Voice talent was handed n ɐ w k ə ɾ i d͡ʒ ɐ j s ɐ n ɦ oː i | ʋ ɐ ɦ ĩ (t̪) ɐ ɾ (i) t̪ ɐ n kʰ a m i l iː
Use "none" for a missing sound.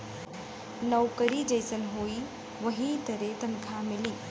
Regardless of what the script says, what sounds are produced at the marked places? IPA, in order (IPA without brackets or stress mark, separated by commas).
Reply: t̪, e